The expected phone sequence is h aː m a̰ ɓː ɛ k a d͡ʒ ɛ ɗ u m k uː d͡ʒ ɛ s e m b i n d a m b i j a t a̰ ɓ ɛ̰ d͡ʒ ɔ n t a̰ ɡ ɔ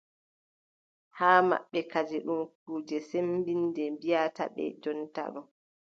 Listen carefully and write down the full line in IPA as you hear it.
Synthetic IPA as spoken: h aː m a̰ ɓː ɛ k a d͡ʒ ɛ ɗ u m k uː d͡ʒ ɛ s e m b i n d ɛ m b i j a t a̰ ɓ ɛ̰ d͡ʒ ɔ n t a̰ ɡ ɔ